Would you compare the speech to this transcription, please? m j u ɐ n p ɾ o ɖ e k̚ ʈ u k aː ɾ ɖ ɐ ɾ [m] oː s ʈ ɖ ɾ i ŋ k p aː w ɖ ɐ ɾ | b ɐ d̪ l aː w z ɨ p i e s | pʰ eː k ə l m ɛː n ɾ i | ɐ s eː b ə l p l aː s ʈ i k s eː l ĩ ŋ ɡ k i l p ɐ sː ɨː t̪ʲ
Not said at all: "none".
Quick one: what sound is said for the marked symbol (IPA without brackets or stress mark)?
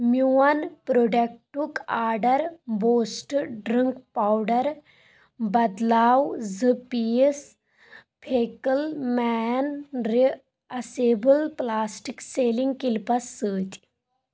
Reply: b